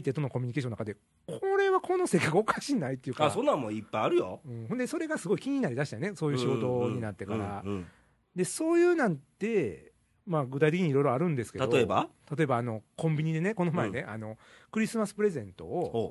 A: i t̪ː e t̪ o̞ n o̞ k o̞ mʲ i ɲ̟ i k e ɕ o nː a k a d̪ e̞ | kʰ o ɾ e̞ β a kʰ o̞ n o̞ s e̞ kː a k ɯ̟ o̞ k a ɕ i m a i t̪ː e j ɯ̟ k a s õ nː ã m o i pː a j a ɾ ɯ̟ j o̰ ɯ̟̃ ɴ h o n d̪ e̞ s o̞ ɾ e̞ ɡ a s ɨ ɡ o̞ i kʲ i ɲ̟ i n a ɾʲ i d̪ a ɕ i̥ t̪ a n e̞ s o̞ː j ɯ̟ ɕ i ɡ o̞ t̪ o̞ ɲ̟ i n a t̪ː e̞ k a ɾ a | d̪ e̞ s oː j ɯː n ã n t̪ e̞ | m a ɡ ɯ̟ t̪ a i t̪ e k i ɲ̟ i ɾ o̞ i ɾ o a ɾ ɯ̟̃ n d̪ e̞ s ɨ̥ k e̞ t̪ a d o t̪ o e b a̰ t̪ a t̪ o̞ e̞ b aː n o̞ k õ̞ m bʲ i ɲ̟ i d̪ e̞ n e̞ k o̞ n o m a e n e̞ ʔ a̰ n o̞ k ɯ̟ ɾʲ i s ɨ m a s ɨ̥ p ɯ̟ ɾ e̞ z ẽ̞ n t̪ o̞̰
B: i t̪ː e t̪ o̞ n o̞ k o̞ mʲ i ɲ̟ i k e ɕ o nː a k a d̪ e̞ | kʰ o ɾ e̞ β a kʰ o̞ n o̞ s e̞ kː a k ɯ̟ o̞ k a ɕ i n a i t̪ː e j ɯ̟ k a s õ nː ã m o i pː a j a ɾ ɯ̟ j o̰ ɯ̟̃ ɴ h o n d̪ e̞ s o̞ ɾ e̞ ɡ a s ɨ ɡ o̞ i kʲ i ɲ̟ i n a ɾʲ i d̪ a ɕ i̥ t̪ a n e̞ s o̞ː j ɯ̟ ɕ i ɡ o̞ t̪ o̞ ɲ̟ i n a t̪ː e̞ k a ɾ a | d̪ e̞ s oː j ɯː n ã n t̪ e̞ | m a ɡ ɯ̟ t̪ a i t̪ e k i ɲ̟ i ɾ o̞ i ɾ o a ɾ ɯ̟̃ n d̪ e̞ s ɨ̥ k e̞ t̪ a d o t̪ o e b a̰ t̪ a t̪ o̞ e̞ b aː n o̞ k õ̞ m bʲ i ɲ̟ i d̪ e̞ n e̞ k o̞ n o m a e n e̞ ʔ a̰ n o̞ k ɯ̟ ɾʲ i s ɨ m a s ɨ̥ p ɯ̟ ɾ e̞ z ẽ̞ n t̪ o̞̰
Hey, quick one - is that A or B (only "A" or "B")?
B